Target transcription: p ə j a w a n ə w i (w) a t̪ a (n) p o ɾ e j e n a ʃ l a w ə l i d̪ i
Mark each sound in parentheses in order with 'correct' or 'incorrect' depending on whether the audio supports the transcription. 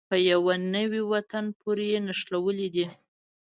correct, correct

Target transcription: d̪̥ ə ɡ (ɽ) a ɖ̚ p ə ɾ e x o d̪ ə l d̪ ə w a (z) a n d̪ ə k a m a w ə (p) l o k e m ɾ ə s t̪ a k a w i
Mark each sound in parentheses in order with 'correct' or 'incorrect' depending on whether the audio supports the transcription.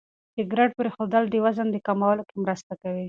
incorrect: ɾ, correct, incorrect: none

